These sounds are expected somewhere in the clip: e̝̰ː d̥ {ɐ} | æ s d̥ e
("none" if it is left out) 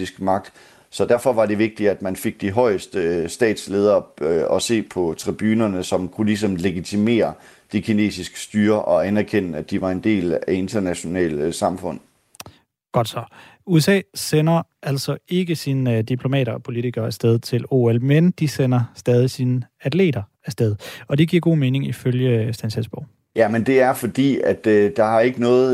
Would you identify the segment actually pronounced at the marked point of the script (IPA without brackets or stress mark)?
ɐ